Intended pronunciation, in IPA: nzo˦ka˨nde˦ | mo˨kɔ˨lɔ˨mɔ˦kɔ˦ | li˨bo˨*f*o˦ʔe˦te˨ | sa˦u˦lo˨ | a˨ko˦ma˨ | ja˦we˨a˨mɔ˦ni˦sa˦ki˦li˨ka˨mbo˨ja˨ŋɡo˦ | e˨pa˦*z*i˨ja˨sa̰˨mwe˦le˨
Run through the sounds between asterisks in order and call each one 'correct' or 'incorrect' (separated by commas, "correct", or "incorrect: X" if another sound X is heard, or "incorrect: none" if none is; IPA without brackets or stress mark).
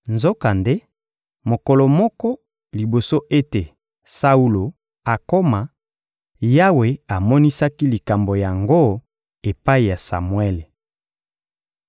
incorrect: s, incorrect: none